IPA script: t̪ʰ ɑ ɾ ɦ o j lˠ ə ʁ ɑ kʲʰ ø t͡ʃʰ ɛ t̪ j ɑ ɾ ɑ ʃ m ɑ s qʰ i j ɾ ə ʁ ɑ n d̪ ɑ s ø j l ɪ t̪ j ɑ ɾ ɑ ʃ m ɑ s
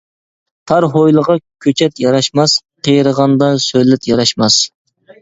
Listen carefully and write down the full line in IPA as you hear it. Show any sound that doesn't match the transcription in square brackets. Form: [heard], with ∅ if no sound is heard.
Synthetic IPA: t̪ʰ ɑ ɾ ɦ o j lˠ ə ʁ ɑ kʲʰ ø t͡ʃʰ ɛ t̪ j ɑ ɾ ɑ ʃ m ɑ s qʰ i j ɾ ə ʁ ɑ n d̪ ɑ s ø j l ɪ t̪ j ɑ ɾ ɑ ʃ m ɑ s